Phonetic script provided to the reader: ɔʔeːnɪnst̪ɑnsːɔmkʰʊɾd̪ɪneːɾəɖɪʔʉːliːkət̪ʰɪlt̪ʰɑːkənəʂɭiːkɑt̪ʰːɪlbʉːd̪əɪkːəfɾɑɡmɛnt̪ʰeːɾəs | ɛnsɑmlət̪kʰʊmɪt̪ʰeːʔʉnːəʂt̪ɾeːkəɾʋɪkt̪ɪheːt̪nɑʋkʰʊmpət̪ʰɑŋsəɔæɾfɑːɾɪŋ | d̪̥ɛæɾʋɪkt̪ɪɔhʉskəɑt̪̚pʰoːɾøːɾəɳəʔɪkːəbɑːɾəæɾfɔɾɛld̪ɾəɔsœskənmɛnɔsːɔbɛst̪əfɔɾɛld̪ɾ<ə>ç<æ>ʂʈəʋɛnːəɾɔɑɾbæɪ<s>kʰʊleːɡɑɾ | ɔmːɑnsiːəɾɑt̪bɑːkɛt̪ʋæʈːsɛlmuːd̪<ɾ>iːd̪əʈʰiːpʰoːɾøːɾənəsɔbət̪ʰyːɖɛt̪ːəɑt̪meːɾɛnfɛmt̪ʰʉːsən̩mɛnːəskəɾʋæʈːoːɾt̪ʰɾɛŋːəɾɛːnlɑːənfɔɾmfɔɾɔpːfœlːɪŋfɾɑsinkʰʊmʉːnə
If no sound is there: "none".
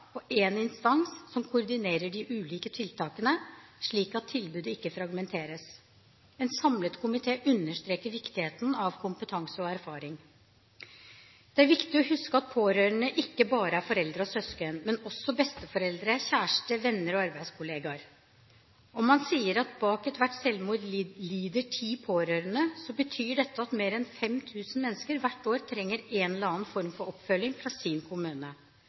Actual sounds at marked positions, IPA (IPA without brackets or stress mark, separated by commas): ə, æː, s, l